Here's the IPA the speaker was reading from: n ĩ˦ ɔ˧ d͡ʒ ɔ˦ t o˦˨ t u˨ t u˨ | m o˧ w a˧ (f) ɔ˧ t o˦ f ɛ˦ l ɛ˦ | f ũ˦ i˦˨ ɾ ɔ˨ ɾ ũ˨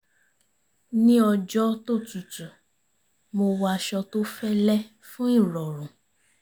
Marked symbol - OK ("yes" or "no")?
no